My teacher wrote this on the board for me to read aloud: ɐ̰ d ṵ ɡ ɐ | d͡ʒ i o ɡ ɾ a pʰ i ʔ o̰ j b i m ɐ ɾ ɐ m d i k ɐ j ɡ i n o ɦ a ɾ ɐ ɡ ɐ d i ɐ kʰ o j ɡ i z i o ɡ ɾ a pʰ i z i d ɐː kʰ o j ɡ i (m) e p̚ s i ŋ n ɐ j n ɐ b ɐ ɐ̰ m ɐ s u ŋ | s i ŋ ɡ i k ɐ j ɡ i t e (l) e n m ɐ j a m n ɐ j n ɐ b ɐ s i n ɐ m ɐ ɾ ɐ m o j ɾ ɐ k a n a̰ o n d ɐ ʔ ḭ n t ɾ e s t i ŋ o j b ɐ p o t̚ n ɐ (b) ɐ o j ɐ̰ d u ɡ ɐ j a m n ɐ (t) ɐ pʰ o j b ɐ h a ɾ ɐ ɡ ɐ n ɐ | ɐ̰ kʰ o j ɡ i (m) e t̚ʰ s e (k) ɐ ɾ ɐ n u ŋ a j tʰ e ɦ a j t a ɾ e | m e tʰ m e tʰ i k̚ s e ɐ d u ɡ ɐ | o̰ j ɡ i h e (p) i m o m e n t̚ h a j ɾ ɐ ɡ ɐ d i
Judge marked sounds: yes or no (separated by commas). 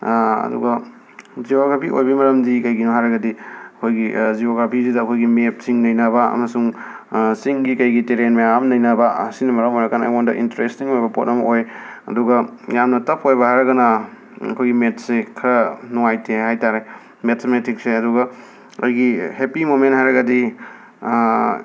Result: yes, no, no, yes, yes, no, yes